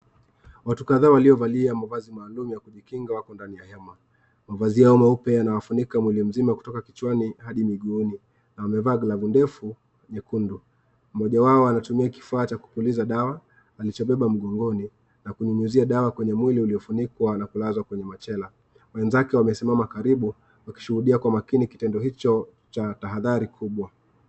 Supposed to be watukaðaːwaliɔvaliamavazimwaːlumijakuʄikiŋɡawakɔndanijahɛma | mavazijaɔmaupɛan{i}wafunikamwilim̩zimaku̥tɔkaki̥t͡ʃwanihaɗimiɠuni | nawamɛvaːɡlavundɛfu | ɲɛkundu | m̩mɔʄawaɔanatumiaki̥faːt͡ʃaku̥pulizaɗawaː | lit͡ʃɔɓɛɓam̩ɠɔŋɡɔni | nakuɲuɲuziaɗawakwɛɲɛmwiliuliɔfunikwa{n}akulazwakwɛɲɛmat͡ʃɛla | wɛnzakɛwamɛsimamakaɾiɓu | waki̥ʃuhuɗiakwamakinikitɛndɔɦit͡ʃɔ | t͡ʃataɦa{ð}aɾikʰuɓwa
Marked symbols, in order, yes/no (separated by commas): no, yes, yes